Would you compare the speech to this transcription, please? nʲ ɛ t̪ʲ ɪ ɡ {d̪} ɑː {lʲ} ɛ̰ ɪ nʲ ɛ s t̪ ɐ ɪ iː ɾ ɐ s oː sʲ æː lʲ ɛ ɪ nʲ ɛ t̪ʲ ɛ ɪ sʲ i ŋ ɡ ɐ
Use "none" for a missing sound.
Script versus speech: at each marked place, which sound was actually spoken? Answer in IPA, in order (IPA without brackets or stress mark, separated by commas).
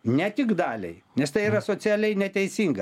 d̪, lʲ